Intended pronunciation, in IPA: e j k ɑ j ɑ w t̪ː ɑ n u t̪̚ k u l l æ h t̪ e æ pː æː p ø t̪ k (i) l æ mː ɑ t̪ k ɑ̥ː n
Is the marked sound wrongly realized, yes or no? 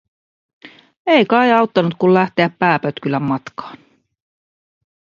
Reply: yes